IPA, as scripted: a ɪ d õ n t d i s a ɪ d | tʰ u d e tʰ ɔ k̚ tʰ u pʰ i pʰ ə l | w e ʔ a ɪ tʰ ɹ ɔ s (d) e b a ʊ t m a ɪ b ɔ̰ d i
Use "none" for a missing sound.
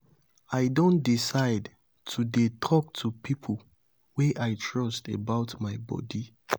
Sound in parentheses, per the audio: t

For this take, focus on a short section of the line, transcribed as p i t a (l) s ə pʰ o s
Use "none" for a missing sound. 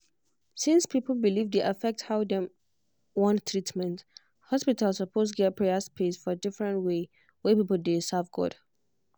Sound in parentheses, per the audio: l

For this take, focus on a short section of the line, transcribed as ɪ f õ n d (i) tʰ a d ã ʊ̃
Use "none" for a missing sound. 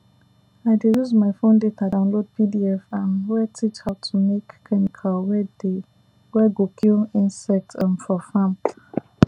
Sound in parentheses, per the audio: e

